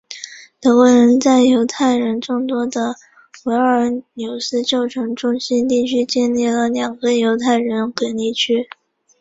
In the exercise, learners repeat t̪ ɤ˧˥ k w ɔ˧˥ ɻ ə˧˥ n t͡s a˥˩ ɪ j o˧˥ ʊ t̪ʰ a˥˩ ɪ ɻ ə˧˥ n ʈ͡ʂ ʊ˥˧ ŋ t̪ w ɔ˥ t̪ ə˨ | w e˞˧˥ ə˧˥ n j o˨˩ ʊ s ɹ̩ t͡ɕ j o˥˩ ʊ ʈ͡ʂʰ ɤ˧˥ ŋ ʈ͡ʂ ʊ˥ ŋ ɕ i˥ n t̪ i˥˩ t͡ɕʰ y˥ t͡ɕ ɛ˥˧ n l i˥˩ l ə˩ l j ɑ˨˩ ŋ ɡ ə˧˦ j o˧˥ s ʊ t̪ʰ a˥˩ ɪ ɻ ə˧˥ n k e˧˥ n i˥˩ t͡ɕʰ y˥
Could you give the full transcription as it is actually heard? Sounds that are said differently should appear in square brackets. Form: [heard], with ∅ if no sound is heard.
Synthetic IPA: t̪ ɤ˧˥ k w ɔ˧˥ ɻ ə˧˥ n t͡s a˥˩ ɪ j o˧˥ ʊ t̪ʰ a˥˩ ɪ ɻ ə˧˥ n ʈ͡ʂ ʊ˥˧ ŋ t̪ w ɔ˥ [d̪] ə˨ | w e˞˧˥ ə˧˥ n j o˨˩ ʊ s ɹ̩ t͡ɕ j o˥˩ ʊ ʈ͡ʂʰ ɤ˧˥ ŋ ʈ͡ʂ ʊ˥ ŋ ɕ i˥ n t̪ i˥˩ t͡ɕʰ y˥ t͡ɕ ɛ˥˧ n l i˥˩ l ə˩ l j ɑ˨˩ ŋ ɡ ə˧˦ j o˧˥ [∅] ʊ t̪ʰ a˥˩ ɪ ɻ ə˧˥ n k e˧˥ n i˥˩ t͡ɕʰ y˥